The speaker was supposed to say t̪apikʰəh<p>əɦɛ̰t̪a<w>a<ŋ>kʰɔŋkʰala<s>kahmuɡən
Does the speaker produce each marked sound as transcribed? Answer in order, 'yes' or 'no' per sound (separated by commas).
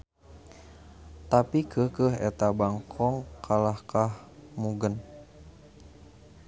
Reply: no, no, yes, no